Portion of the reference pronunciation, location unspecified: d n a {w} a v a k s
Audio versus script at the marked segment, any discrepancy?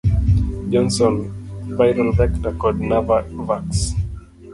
yes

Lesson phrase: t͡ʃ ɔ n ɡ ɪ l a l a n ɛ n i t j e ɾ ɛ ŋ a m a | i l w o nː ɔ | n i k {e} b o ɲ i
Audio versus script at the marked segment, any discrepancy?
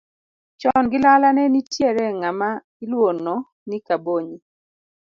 yes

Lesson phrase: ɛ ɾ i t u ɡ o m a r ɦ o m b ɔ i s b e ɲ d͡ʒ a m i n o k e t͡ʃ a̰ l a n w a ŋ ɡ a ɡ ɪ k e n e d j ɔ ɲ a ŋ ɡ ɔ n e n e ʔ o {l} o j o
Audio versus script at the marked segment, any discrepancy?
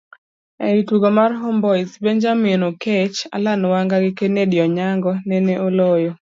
no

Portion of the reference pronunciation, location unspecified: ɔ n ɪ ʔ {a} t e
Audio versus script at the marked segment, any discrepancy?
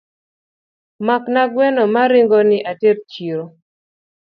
no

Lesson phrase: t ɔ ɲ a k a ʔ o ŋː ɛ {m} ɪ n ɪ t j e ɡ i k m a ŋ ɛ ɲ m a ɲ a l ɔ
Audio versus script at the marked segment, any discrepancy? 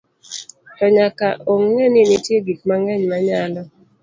yes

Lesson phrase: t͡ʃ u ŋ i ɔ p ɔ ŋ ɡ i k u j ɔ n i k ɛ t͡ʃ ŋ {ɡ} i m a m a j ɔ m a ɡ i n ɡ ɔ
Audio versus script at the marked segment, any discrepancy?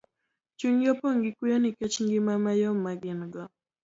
no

